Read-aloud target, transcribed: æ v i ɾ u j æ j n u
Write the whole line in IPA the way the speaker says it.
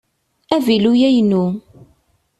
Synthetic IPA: æ v i l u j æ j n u